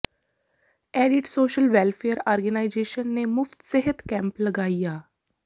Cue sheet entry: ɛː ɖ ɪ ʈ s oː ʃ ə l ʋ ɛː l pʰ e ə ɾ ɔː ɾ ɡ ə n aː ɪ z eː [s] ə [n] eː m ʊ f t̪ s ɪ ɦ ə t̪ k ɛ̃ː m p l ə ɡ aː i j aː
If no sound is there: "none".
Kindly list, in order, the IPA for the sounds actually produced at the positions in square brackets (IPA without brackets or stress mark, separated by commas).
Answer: ʃ, nː